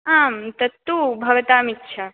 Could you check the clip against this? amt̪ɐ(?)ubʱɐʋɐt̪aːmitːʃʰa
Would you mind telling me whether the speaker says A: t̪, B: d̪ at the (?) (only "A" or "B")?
A